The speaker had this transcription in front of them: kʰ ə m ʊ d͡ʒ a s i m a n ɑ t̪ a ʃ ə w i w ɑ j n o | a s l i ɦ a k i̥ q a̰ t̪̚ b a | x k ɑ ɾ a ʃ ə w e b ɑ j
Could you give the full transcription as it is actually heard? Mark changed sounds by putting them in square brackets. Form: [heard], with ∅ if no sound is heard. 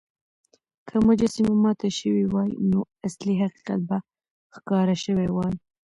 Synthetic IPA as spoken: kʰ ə m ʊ d͡ʒ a s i m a [m] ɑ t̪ a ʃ ə w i w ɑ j n o | a s l i ɦ a [q] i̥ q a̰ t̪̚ b a | x k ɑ ɾ a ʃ ə w e [w] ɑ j